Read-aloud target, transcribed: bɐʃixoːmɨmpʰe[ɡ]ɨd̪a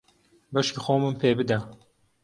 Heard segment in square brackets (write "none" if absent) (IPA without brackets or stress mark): b